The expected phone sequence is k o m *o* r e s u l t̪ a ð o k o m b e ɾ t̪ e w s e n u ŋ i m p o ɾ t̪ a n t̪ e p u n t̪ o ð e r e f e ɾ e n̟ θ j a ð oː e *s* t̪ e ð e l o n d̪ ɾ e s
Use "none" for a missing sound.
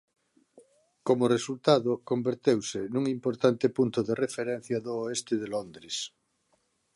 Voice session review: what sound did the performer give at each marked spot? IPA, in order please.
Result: o, s

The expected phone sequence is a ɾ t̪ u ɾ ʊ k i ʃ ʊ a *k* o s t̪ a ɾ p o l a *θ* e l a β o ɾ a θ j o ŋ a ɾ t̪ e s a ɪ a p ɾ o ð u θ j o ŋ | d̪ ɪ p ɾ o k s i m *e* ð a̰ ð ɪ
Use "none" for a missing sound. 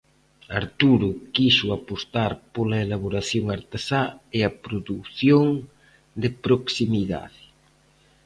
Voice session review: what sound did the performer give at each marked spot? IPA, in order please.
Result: p, none, i

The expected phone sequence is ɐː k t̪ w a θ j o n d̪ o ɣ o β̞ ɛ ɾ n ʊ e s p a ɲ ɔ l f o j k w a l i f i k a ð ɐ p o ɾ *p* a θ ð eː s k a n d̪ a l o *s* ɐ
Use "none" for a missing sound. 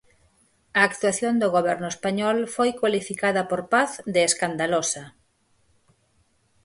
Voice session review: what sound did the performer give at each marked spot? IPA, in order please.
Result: p, s

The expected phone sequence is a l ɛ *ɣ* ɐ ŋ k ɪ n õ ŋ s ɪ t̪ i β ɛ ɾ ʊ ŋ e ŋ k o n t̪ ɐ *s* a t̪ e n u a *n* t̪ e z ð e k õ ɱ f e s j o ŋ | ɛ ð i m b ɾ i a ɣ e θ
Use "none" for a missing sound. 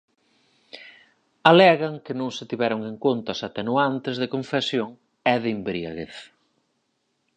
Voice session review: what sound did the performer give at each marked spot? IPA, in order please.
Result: ɣ, s, n

